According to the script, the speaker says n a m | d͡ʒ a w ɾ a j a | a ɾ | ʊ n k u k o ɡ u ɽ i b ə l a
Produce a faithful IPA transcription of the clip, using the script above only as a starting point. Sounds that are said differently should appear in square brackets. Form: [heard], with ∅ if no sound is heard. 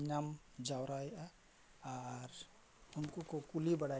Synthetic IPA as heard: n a m | d͡ʒ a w ɾ a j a | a ɾ | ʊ n k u k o [k] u [l] i b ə [ɽ] a